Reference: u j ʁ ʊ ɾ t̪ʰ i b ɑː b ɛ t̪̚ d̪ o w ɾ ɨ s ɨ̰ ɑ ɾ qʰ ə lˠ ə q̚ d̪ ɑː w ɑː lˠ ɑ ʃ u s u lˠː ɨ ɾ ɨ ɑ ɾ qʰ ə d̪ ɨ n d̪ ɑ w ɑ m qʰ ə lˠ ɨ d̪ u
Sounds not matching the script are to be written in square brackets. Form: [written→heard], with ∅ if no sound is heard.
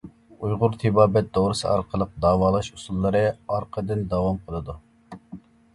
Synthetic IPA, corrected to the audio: u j ʁ ʊ ɾ t̪ʰ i b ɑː b ɛ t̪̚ d̪ o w ɾ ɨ s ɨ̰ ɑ ɾ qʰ ə lˠ ə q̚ d̪ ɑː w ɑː lˠ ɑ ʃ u s u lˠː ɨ ɾ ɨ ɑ ɾ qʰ ə d̪ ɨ n d̪ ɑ w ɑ m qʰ ə lˠ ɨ d̪ u